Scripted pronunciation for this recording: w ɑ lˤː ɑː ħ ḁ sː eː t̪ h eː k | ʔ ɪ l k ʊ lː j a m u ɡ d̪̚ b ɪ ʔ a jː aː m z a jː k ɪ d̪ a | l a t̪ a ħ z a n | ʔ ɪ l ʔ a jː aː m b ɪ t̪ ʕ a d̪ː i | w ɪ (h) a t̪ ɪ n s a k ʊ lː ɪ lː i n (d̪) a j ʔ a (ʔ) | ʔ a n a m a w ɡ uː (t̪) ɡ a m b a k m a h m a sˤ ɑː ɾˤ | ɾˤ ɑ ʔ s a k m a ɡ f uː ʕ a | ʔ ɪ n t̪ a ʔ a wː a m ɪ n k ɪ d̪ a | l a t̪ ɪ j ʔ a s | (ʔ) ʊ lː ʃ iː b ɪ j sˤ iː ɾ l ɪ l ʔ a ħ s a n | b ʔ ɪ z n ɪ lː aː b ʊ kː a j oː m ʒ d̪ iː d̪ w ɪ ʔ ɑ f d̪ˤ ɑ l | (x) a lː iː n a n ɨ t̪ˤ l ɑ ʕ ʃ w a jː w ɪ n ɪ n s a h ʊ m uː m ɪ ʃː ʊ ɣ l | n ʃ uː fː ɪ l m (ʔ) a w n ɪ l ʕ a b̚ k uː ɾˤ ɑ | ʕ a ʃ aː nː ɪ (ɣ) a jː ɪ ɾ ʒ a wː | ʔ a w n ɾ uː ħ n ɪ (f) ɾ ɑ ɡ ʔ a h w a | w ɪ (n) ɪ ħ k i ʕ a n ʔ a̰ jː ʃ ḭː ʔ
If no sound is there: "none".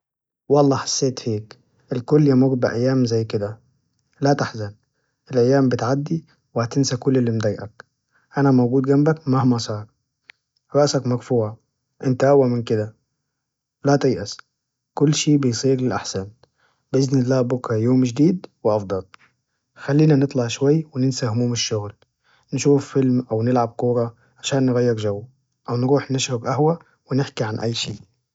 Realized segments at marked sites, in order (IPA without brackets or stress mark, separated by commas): h, d̪, k, d̪, k, x, ʔ, ɣ, ʃ, n